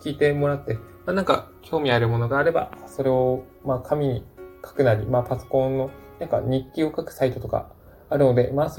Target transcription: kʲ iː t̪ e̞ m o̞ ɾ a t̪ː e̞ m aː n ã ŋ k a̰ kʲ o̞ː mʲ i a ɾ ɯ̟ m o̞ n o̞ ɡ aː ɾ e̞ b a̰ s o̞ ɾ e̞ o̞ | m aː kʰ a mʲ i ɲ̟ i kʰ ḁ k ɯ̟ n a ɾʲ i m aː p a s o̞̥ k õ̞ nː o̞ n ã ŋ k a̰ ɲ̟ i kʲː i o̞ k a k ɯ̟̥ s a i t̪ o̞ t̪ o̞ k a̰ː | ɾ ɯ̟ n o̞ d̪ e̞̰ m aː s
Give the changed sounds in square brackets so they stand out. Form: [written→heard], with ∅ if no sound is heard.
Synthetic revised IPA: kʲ iː t̪ e̞ m o̞ ɾ a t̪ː e̞ m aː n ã ŋ k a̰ kʲ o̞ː mʲ i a ɾ ɯ̟ m o̞ n o̞ ɡ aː ɾ e̞ b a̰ s o̞ ɾ e̞ o̞ | m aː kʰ a mʲ i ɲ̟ i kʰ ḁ k ɯ̟ n a ɾʲ i m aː p a s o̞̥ k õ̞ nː o̞ n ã ŋ k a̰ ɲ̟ i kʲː i o̞ k a k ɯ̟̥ s a i t̪ o̞ t̪ o̞ k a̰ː | ɾ ɯ̟ n o̞ d̪ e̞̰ m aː s